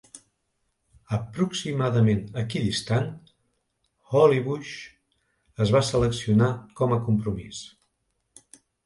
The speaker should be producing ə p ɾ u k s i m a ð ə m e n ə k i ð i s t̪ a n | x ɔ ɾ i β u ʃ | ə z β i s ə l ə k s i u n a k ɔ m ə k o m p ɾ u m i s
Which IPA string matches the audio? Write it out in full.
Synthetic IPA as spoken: ə p ɾ u k s i m a ð ə m e n ə k i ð i s t̪ a n | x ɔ l i β u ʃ | ə z β a s ə l ə k s i u n a k ɔ m ə k u m p ɾ u m i s